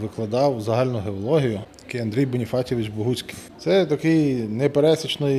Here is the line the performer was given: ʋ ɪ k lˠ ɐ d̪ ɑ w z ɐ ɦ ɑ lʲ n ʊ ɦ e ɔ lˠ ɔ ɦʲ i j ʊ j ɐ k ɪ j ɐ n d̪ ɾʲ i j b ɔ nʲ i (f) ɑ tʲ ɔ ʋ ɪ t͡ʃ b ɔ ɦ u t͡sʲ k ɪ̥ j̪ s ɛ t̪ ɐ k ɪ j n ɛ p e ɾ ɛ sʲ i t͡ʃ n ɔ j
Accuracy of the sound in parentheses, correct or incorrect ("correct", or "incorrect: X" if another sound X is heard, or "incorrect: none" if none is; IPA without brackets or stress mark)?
correct